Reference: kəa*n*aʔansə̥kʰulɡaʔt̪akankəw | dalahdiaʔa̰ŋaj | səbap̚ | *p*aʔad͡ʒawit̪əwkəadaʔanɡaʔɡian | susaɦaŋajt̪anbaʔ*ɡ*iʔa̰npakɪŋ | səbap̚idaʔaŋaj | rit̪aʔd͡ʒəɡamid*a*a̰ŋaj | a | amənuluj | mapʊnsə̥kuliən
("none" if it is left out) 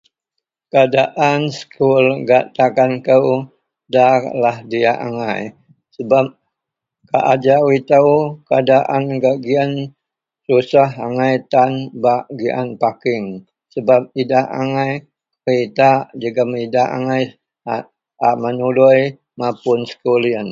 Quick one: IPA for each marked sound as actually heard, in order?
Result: d, k, ɡ, a

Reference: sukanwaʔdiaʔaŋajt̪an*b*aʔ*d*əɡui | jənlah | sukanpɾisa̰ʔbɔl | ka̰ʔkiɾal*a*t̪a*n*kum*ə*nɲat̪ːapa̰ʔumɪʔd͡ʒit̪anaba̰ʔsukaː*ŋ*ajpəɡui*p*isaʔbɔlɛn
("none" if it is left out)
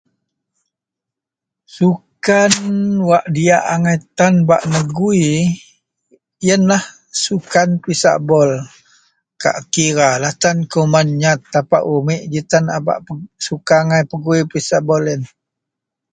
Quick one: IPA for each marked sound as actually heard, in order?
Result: b, n, a, n, a, ŋ, p

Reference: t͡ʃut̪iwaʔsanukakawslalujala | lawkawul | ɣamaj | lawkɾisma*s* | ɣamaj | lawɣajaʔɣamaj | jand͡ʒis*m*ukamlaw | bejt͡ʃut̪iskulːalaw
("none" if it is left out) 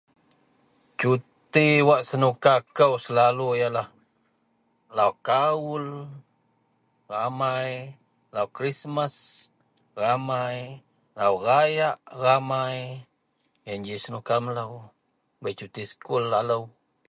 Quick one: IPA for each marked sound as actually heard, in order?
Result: s, n

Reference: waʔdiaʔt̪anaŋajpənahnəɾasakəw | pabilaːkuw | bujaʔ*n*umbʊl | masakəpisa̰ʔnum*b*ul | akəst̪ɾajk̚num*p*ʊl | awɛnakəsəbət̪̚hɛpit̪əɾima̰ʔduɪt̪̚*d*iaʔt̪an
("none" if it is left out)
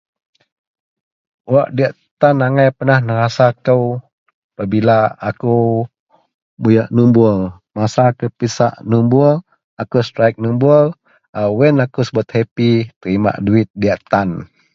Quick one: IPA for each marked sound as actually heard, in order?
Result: n, b, b, d

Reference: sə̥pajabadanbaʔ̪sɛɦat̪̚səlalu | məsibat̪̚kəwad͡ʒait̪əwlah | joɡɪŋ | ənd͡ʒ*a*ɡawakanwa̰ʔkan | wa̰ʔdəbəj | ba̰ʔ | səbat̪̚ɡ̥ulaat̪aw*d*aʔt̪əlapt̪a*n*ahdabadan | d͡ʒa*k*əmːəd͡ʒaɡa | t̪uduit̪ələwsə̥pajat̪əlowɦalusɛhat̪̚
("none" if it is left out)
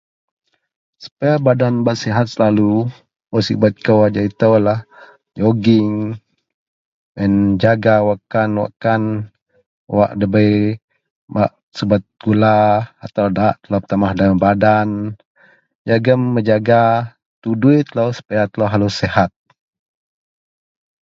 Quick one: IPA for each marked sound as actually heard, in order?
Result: a, d, m, ɡ

